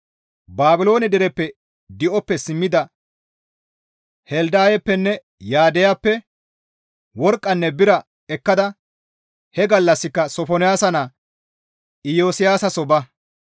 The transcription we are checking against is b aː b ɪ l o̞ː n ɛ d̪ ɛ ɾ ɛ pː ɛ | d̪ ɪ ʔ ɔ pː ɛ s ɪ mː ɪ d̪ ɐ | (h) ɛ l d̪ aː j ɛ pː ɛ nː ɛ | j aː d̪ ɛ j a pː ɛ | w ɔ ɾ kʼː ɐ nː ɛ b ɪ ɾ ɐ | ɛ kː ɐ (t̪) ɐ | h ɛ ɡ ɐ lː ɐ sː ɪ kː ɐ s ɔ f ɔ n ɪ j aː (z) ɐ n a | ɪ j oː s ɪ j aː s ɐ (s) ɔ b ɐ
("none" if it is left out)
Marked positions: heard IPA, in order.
h, d̪, s, s

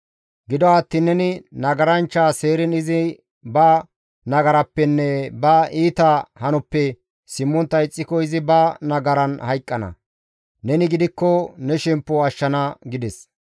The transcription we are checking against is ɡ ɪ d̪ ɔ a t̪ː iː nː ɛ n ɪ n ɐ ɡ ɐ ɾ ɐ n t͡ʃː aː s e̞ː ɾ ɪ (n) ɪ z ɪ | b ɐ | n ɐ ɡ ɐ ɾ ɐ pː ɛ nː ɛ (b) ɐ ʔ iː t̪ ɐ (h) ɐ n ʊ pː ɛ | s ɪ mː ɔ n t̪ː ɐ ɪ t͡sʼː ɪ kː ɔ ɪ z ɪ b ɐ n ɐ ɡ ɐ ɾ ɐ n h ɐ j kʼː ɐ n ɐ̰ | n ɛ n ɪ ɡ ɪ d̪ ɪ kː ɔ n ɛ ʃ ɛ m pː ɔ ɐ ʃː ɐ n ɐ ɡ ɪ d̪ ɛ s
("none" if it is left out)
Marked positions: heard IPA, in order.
n, b, h

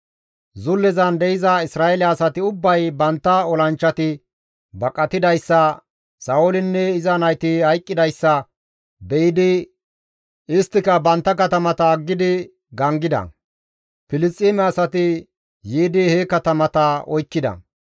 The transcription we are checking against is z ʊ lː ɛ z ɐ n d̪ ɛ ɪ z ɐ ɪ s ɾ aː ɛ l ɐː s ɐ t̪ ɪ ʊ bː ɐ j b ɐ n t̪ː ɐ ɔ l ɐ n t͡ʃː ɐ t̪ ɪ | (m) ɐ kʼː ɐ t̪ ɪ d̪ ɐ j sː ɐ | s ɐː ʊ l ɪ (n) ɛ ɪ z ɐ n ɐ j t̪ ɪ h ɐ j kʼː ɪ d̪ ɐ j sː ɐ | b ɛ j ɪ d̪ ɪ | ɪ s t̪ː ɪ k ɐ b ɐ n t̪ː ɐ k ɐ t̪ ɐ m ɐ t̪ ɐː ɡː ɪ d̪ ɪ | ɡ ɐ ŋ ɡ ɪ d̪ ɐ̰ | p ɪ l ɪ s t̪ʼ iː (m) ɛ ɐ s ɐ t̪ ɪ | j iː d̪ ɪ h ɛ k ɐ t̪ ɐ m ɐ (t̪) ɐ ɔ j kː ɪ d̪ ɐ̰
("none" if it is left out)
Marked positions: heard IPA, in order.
b, nː, m, t̪

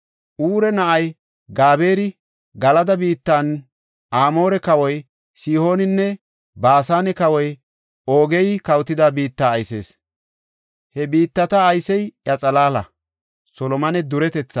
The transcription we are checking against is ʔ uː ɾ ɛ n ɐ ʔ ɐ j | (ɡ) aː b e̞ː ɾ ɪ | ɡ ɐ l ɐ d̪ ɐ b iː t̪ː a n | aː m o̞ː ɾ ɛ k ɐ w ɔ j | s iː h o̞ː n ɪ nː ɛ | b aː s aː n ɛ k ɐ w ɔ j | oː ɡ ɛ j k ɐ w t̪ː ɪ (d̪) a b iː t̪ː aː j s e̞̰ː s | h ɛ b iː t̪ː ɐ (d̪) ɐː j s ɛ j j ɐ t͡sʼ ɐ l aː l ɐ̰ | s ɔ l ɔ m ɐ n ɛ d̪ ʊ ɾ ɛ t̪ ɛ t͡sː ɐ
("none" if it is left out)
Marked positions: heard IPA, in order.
ɡ, d̪, t̪

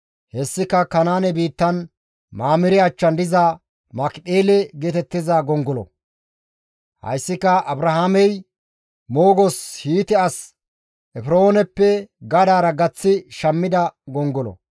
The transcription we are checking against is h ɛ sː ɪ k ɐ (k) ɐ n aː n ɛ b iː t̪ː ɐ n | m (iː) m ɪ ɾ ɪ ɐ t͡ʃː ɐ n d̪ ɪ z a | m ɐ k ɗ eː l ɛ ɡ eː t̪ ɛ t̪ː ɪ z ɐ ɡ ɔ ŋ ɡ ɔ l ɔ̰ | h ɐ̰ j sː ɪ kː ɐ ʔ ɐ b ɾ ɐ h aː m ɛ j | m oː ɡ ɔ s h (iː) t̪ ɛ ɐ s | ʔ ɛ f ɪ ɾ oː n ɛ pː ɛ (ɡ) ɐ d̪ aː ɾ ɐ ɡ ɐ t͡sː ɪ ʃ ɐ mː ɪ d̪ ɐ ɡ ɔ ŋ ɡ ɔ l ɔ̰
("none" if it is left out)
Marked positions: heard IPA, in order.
k, aː, iː, ɡ

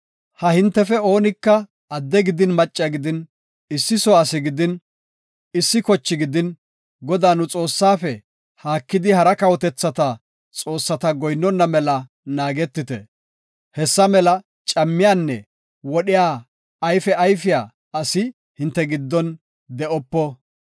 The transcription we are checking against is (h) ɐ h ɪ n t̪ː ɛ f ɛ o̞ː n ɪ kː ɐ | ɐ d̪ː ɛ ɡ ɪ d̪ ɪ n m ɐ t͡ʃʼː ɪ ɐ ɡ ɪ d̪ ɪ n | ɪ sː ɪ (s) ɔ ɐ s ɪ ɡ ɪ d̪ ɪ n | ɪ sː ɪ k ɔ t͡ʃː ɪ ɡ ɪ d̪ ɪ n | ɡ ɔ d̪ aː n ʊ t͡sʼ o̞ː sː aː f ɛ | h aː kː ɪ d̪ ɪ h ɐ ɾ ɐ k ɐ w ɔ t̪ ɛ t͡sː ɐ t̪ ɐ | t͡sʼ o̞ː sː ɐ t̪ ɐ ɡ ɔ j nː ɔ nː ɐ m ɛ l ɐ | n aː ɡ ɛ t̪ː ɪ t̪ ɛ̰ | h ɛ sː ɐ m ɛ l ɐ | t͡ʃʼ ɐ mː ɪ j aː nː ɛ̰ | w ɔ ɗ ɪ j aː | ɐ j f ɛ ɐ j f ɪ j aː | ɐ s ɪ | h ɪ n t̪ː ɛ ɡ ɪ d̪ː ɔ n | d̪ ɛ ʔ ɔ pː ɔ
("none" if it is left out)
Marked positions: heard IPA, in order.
h, s

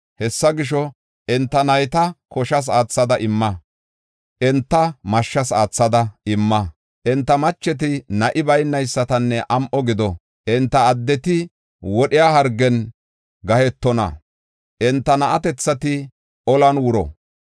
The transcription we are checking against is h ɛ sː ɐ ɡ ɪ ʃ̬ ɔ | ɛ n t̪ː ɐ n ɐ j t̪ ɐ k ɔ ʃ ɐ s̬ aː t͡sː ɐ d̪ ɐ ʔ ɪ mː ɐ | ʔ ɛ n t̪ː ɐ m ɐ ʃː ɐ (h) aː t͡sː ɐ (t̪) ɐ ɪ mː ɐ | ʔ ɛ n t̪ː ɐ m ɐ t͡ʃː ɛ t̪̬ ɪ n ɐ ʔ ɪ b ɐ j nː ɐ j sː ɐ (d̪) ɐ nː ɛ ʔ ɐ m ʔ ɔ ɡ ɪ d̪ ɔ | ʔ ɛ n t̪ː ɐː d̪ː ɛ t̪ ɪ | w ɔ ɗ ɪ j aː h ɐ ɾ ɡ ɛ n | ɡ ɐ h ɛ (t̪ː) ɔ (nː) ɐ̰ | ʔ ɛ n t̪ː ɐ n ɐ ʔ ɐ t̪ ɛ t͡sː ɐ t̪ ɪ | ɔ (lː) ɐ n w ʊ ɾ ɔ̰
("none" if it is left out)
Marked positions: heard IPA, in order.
s, d̪, t̪, t̪ː, n, l

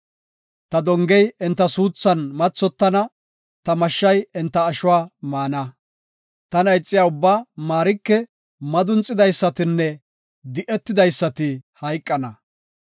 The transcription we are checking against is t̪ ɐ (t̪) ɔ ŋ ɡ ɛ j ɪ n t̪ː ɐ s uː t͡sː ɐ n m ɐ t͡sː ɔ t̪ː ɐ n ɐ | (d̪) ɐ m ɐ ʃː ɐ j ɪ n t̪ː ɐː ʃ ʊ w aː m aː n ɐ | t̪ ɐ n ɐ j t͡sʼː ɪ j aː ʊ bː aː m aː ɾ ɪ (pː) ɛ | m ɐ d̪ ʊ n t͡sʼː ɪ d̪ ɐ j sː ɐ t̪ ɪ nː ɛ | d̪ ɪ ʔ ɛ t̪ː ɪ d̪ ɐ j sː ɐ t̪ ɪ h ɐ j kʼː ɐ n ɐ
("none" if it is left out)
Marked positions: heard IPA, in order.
d̪, t̪, kː

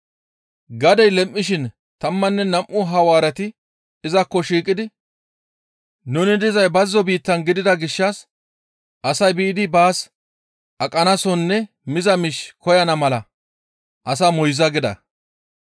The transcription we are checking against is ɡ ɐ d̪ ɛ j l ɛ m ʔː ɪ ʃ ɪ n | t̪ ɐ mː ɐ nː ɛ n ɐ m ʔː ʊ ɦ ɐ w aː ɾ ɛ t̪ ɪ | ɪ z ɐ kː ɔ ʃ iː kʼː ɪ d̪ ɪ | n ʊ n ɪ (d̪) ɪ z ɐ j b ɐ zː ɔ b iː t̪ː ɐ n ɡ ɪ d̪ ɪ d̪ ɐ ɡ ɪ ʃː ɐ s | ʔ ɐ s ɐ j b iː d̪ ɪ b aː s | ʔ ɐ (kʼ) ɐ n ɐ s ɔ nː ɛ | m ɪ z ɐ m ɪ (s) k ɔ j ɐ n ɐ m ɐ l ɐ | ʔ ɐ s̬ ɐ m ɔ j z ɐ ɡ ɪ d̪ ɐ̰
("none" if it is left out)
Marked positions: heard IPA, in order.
d̪, kʼ, ʃ

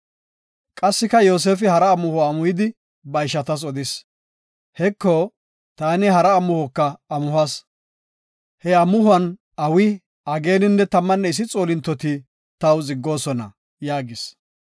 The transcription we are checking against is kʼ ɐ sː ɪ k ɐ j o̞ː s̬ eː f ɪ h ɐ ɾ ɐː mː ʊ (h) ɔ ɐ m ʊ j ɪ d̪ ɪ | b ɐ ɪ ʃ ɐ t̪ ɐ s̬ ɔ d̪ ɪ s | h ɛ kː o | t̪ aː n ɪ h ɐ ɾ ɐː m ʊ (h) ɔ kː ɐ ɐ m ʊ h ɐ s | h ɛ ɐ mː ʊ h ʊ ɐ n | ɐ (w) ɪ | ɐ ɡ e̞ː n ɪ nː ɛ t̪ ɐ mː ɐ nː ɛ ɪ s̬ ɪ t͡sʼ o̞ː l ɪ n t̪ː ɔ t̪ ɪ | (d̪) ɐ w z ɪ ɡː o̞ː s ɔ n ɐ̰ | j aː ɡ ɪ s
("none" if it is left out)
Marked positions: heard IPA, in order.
h, h, w, t̪

